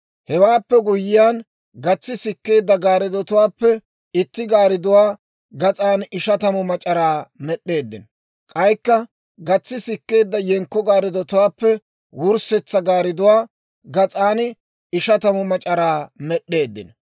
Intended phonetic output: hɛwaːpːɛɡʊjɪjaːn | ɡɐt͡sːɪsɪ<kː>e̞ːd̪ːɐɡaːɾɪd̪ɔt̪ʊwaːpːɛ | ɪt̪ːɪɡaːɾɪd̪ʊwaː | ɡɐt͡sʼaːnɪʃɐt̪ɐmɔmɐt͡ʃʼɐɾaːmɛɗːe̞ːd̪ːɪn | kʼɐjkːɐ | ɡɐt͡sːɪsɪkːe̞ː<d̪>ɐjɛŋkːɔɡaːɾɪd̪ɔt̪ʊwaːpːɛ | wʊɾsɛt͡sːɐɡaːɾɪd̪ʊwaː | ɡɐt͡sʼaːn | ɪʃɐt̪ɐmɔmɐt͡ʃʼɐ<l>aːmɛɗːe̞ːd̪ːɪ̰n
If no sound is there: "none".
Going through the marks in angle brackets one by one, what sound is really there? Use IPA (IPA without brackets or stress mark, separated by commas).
kː, d̪ː, ɾ